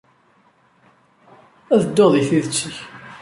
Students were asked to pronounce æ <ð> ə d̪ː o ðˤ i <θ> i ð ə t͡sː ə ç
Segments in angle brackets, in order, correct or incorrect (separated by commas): correct, correct